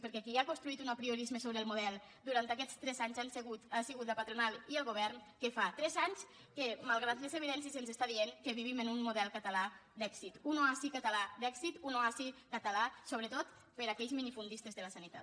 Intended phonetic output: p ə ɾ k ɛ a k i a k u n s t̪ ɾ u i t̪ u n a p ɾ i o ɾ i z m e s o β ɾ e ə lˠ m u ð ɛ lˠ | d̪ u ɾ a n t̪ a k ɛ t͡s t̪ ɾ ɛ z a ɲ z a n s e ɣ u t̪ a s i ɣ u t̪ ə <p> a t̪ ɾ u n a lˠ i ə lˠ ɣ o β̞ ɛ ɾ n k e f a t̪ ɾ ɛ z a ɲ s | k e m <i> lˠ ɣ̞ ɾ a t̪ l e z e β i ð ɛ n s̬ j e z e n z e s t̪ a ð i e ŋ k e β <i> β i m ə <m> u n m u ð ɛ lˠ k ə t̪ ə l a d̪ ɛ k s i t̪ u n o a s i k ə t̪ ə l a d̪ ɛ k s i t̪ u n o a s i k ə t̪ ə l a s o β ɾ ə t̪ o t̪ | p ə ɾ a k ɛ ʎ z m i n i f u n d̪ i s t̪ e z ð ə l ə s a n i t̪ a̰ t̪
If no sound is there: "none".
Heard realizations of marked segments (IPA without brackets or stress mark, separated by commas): p, a, i, n